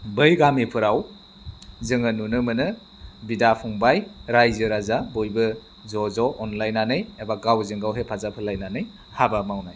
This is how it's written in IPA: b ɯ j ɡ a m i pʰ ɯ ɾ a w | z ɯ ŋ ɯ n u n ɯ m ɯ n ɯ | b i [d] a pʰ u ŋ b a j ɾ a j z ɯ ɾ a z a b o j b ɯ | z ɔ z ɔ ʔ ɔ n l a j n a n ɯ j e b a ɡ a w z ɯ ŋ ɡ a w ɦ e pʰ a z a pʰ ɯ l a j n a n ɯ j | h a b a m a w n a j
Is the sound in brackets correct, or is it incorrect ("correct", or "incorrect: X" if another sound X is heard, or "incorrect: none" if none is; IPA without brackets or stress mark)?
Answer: correct